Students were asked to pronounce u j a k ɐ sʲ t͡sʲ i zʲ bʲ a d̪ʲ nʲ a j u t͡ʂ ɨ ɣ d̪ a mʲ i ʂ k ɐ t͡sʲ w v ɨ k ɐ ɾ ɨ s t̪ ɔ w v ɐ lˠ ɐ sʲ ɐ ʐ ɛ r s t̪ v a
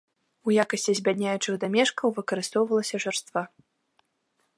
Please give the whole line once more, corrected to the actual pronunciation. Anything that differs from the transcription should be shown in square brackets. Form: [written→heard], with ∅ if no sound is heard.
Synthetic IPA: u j a k ɐ sʲ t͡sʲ i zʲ bʲ a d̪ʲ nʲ a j u t͡ʂ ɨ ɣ d̪ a mʲ [i→ɛ] ʂ k ɐ [t͡sʲ→∅] w v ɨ k ɐ ɾ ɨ s t̪ ɔ w v ɐ lˠ ɐ sʲ ɐ ʐ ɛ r s t̪ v a